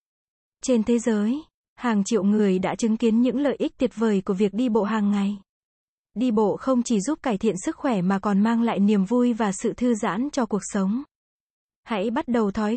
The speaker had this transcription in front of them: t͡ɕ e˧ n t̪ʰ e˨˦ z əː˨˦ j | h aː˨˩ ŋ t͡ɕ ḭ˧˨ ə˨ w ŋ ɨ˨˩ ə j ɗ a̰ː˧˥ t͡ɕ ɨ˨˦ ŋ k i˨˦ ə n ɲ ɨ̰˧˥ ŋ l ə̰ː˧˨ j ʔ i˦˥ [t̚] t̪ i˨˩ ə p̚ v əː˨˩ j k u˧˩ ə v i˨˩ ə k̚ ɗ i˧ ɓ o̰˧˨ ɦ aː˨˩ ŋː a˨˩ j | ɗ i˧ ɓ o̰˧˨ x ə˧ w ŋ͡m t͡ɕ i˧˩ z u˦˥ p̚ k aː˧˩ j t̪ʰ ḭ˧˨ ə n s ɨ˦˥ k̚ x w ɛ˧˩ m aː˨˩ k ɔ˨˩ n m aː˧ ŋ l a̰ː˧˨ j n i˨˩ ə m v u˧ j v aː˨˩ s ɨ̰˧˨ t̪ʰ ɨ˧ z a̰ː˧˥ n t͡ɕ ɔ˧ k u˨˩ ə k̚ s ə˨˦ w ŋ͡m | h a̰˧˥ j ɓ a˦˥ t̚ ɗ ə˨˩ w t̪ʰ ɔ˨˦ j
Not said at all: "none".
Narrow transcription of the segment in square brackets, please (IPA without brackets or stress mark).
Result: k̚